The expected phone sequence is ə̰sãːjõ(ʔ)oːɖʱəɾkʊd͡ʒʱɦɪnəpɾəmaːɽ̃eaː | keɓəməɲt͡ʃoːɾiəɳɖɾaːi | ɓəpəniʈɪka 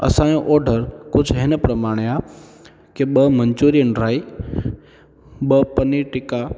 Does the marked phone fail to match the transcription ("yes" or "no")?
no